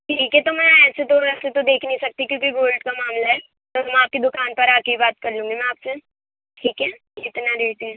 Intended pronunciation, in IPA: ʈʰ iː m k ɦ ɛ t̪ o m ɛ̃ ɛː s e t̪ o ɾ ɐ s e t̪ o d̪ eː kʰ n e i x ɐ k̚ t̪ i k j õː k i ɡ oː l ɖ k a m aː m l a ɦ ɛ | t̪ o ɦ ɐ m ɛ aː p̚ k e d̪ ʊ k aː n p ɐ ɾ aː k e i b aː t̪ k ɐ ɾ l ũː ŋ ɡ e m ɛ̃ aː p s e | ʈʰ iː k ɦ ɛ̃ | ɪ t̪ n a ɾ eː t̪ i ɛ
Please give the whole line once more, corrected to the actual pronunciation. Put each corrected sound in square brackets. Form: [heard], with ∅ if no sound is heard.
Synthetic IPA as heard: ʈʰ iː [∅] k ɦ ɛ t̪ o m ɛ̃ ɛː s e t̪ o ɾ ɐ s e t̪ o d̪ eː kʰ n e i [s] ɐ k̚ t̪ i k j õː k i ɡ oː l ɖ k a m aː m l a ɦ ɛ | t̪ o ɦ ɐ m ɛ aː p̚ k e d̪ ʊ k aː n p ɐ ɾ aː k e i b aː t̪ k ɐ ɾ l ũː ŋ ɡ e m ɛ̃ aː p s e | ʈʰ iː k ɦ [ɛ] | ɪ t̪ n a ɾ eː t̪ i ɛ